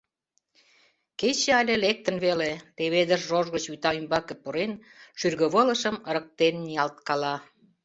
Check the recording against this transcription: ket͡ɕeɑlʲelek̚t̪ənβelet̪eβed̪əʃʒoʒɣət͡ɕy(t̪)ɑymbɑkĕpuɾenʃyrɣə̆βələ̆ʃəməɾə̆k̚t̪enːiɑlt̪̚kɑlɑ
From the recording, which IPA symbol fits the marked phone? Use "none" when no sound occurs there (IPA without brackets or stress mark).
t̪